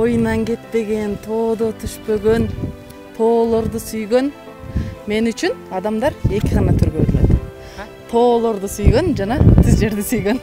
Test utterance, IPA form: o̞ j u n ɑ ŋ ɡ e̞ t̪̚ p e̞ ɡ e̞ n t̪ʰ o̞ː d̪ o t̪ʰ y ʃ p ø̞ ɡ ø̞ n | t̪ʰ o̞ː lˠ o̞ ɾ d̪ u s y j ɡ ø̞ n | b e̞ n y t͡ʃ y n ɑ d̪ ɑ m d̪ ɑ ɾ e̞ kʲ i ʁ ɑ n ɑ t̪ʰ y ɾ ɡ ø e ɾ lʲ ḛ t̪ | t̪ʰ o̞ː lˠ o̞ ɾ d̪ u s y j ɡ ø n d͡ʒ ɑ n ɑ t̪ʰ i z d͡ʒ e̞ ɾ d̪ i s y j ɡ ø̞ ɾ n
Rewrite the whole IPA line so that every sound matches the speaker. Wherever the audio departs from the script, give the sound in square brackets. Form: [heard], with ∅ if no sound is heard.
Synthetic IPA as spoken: o̞ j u n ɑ ŋ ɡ e̞ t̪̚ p e̞ ɡ e̞ n t̪ʰ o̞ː d̪ o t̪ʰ y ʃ p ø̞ ɡ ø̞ n | t̪ʰ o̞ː lˠ o̞ ɾ d̪ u s y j ɡ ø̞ n | [m] e̞ n y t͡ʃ y n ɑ d̪ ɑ m d̪ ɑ ɾ e̞ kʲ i ʁ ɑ n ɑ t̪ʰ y ɾ ɡ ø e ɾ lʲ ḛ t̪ | t̪ʰ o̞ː lˠ o̞ ɾ d̪ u s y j ɡ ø n d͡ʒ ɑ n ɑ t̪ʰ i z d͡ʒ e̞ ɾ d̪ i s y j ɡ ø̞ [∅] n

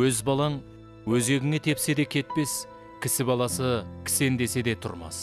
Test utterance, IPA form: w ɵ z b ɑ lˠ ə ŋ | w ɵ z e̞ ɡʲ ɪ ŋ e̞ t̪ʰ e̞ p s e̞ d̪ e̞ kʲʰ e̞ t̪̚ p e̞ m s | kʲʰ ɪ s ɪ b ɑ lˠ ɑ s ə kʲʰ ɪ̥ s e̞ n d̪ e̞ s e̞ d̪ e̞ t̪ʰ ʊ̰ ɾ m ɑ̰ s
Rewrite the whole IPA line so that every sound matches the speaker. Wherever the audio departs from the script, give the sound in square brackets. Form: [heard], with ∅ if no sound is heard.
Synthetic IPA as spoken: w ɵ z b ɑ lˠ [ɑ] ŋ | w ɵ z e̞ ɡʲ ɪ ŋ e̞ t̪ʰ e̞ p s e̞ d̪ e̞ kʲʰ e̞ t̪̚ p e̞ [∅] s | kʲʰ ɪ s ɪ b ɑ lˠ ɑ s ə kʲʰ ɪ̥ s e̞ n d̪ e̞ s e̞ d̪ e̞ t̪ʰ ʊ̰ ɾ m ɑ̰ s

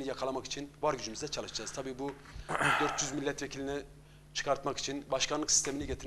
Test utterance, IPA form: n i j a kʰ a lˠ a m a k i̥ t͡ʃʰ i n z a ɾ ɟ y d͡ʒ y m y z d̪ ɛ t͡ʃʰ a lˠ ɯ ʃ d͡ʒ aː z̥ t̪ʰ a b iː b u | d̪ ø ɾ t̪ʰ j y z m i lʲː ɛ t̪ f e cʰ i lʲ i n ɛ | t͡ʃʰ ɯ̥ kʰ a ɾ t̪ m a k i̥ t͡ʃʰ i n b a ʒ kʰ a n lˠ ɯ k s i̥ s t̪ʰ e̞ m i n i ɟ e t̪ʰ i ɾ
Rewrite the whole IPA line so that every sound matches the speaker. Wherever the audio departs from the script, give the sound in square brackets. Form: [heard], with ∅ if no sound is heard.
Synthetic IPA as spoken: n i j a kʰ a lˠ a m a k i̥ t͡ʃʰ i n [v] a ɾ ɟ y d͡ʒ y m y z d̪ ɛ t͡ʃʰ a lˠ ɯ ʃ d͡ʒ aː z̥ t̪ʰ a b iː b u | d̪ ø ɾ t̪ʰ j y z m i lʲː ɛ t̪ [v] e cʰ i lʲ i n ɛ | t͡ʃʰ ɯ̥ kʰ a ɾ t̪ m a k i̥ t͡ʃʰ i n b a [ʃ] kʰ a n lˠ ɯ k s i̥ s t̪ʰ e̞ m i n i ɟ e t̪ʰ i ɾ

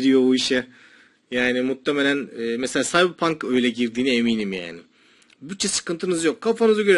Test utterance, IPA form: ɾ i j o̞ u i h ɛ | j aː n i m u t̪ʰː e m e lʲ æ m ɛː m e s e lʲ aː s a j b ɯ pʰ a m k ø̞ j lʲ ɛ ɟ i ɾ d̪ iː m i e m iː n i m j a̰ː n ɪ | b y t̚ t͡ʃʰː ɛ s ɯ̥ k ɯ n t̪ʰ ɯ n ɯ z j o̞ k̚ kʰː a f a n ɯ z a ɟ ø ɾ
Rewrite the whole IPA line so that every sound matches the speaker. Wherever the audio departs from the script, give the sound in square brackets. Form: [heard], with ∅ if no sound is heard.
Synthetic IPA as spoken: ɾ i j o̞ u i [ʃ] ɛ | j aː n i m u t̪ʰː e m e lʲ æ [n] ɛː m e s e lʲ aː s a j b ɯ pʰ a [ŋ] k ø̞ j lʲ ɛ ɟ i ɾ d̪ iː [n] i e m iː n i m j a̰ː n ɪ | b y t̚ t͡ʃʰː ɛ s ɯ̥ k ɯ n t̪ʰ ɯ n ɯ z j o̞ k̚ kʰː a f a n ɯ z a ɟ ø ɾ

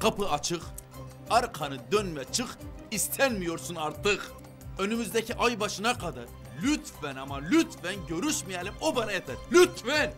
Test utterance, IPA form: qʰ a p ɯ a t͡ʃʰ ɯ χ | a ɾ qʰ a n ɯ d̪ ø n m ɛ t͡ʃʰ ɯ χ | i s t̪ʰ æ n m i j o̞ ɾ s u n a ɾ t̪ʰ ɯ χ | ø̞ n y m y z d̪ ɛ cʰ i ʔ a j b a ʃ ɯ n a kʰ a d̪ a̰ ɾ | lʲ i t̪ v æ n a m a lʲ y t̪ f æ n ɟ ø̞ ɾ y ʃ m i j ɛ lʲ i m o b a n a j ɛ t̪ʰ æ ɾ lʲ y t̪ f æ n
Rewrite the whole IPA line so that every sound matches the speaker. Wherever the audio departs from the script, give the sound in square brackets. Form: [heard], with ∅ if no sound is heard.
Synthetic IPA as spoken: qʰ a p ɯ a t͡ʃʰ ɯ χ | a ɾ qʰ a n ɯ d̪ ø n m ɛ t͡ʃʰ ɯ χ | i s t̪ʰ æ n m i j o̞ ɾ s u n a ɾ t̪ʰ ɯ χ | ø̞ n y m y z d̪ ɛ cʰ i ʔ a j b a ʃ ɯ n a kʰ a d̪ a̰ ɾ | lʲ [y] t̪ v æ n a m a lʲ y t̪ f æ n ɟ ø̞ ɾ y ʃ m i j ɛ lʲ i m o b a n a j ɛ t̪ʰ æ ɾ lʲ y t̪ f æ n

